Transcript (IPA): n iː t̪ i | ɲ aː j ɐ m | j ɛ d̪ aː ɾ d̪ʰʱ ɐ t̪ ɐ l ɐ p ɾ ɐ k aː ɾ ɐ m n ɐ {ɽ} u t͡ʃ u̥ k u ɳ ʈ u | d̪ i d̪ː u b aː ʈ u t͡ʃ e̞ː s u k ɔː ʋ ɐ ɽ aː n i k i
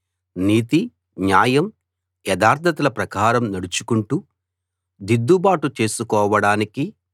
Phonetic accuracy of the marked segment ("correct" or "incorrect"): correct